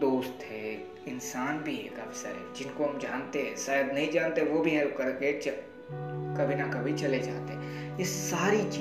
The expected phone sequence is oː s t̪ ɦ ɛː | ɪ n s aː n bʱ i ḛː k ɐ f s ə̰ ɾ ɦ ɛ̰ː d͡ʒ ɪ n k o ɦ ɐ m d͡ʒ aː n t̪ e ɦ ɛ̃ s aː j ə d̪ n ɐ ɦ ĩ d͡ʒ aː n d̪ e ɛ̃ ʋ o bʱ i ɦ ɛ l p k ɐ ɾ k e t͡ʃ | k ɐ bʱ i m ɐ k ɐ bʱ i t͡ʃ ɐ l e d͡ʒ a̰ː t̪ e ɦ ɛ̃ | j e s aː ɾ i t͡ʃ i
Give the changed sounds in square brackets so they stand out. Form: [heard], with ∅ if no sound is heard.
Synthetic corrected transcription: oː s t̪ ɦ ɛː | ɪ n s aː n bʱ i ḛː k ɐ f s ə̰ ɾ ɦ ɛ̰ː d͡ʒ ɪ n k o ɦ ɐ m d͡ʒ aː n t̪ e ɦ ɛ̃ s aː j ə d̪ n ɐ ɦ ĩ d͡ʒ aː n [t̪] e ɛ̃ ʋ o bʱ i ɦ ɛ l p k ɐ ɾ k e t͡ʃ | k ɐ bʱ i [n] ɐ k ɐ bʱ i t͡ʃ ɐ l e d͡ʒ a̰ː t̪ e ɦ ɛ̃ | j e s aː ɾ i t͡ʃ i